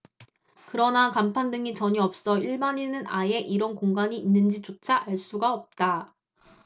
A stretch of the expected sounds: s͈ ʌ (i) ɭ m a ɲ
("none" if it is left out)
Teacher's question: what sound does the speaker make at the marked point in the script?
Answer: i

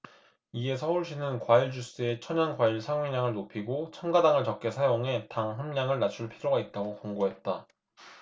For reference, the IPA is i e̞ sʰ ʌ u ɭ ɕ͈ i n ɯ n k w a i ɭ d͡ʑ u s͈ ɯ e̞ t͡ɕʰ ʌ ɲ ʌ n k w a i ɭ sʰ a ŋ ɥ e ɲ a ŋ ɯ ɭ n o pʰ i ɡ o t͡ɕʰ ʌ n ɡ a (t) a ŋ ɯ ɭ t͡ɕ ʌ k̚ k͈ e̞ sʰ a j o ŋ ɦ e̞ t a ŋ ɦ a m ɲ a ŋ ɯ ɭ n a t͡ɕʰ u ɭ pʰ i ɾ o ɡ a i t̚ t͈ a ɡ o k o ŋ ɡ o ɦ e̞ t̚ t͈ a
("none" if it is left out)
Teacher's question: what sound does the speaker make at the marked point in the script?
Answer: d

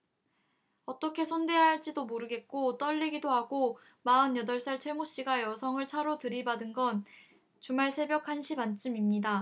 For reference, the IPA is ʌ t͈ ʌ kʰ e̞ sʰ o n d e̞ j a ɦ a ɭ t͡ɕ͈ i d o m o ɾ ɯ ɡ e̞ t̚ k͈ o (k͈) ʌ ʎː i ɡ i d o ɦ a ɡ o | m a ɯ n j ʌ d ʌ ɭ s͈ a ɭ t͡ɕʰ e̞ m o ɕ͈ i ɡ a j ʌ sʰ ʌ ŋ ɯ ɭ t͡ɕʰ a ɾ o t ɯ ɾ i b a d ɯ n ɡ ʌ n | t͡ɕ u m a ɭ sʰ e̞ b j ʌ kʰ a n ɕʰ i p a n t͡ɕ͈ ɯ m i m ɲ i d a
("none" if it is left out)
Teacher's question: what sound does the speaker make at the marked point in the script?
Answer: t͈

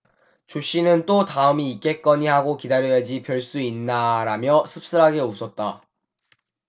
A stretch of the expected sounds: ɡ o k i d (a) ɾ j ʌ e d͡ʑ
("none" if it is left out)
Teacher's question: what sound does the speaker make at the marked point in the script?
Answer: a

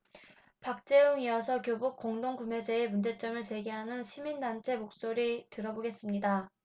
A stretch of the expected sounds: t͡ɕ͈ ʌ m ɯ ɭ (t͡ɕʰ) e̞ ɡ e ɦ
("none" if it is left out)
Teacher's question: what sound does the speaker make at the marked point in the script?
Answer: t͡ɕ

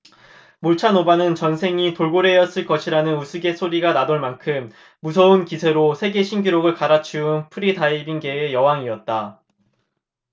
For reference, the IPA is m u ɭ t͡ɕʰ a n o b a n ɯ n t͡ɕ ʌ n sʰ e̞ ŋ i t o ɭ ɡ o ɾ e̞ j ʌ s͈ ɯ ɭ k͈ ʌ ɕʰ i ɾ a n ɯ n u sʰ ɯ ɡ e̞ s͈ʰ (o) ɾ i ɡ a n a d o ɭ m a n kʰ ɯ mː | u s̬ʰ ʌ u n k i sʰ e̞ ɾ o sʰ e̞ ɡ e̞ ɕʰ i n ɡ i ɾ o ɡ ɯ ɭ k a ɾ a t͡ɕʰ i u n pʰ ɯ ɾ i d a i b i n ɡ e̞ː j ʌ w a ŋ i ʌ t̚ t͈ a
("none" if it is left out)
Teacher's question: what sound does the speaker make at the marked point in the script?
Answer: o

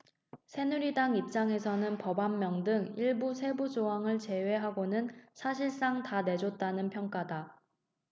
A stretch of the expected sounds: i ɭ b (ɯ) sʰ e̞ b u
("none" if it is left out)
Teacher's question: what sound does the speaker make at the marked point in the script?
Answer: u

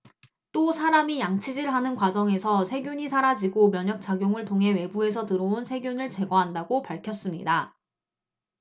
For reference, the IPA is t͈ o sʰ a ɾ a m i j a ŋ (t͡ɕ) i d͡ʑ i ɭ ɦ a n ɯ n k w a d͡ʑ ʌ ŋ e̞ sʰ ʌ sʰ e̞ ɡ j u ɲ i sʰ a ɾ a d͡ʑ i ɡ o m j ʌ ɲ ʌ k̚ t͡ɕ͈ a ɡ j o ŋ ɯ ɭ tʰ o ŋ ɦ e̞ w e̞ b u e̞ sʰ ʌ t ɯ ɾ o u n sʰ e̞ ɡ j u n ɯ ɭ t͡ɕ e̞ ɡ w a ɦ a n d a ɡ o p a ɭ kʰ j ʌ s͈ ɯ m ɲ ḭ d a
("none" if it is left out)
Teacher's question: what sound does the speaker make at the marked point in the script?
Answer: t͡ɕʰ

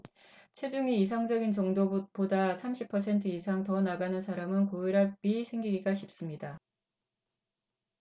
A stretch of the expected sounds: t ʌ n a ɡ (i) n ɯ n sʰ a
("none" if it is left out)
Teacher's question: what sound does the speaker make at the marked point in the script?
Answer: a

